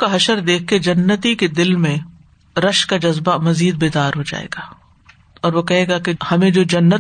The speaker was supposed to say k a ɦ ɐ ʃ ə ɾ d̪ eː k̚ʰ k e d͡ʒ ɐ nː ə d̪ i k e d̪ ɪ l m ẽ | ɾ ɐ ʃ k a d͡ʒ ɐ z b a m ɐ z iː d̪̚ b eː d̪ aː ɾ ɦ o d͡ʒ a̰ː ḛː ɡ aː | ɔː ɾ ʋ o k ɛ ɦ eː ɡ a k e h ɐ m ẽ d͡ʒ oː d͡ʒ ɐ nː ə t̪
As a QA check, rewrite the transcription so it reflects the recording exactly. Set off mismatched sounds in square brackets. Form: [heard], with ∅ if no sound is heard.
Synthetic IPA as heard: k a ɦ ɐ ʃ ə ɾ d̪ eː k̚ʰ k e d͡ʒ ɐ nː ə [t̪] i k e d̪ ɪ l m ẽ | ɾ ɐ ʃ k a d͡ʒ ɐ z b a m ɐ z iː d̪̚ b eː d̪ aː ɾ ɦ o d͡ʒ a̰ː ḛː ɡ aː | ɔː ɾ ʋ o k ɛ ɦ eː ɡ a k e h ɐ m ẽ d͡ʒ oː d͡ʒ ɐ nː ə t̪